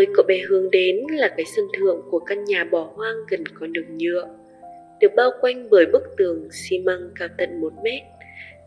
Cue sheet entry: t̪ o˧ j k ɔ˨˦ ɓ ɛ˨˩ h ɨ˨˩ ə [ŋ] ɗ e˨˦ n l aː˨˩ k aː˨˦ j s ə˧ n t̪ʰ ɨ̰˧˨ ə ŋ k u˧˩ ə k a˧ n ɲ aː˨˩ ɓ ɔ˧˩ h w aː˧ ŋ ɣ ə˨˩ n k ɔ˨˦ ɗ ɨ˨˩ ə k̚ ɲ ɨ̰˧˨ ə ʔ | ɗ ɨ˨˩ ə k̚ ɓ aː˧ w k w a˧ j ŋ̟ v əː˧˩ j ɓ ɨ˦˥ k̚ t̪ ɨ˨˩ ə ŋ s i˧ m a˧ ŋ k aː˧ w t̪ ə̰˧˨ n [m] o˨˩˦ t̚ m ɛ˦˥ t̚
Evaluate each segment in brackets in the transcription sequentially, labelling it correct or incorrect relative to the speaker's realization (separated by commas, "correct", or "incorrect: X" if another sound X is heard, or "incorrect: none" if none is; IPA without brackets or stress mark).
correct, correct